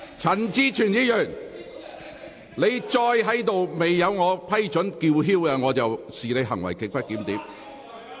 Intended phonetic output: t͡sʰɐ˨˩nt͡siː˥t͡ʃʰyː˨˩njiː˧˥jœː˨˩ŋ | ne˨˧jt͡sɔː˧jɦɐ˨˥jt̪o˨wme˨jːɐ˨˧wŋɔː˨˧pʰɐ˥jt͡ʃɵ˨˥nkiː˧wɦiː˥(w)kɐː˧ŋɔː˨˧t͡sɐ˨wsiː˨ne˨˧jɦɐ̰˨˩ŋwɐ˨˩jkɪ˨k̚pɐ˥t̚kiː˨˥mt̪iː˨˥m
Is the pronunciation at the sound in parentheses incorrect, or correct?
correct